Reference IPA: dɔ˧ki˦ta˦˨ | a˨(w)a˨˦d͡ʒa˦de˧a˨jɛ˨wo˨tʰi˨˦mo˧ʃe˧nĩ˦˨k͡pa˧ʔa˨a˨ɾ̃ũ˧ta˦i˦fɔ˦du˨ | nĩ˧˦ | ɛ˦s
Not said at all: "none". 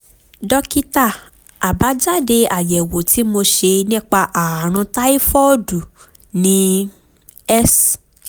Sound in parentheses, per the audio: b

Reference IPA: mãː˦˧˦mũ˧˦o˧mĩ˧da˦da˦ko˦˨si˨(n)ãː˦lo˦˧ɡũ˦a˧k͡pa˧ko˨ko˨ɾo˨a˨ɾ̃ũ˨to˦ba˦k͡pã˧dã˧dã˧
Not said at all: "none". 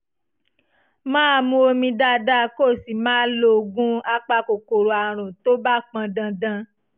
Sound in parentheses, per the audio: m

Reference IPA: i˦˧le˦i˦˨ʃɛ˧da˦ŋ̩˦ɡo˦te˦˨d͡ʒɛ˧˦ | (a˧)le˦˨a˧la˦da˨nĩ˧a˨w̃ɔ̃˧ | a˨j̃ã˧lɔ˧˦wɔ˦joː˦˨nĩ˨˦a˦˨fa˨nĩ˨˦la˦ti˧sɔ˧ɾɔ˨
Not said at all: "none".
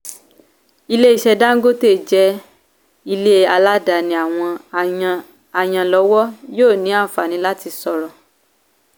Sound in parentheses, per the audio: i˧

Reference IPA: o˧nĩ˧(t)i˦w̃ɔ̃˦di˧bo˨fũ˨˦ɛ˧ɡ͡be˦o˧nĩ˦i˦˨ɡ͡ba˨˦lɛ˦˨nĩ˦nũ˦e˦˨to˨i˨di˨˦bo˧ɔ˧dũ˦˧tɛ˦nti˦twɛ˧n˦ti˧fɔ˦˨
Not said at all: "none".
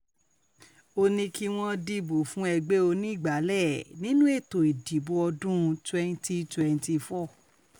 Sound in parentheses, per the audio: k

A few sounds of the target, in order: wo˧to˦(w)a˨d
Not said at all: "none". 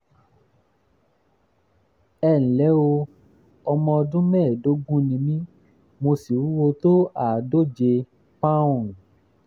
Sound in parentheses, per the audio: none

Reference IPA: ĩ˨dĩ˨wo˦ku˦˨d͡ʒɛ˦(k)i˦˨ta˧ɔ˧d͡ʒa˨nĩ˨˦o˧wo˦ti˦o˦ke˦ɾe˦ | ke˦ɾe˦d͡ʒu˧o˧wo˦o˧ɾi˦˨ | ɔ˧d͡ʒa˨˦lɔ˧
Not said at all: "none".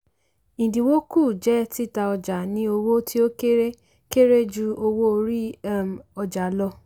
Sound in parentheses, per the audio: t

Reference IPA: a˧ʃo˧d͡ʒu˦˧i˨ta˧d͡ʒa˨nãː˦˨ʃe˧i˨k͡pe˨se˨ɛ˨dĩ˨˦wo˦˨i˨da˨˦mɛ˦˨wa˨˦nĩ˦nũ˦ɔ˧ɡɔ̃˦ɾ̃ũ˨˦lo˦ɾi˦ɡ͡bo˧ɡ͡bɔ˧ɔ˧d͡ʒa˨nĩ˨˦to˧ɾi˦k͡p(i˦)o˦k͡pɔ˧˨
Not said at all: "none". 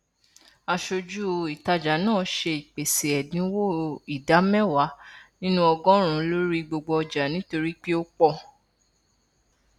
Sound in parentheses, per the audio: i˦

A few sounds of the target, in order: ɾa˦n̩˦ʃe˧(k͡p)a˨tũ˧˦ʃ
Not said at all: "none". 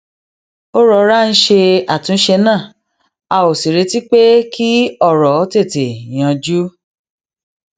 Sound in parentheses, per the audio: none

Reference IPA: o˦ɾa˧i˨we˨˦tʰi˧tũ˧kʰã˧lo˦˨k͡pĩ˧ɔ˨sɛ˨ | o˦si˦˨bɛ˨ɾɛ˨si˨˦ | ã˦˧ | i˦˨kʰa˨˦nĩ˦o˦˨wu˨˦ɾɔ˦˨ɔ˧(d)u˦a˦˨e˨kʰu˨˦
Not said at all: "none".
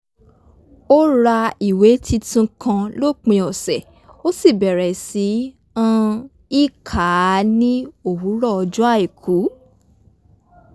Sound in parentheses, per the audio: d͡ʒ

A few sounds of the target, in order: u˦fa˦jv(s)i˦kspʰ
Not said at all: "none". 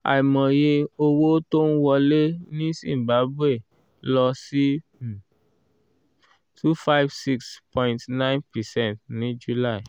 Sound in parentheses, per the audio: s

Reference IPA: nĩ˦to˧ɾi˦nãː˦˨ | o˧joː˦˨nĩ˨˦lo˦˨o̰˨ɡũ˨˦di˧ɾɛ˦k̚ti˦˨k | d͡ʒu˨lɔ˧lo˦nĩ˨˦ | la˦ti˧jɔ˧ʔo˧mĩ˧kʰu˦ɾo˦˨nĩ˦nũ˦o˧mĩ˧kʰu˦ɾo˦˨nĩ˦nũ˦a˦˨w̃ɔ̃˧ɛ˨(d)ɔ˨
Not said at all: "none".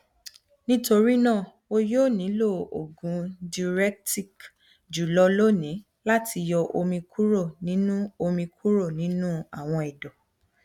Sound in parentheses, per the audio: d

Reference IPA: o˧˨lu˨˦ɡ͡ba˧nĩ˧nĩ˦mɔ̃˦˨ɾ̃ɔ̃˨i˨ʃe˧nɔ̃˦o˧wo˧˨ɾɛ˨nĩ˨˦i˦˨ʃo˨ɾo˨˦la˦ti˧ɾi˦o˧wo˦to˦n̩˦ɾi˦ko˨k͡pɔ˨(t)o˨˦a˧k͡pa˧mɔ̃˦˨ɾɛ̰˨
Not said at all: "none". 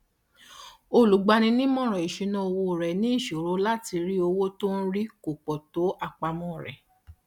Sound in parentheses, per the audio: t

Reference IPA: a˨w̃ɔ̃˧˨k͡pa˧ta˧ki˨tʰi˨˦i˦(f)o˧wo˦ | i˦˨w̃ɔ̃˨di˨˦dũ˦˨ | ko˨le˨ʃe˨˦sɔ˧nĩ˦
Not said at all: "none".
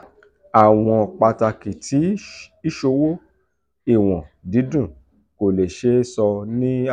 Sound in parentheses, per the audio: ʃ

